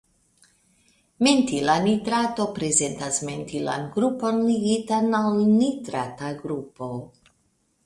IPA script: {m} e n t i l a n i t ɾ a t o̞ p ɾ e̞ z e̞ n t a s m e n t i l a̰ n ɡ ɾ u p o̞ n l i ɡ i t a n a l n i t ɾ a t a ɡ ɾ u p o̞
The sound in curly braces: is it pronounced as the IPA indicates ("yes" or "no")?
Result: yes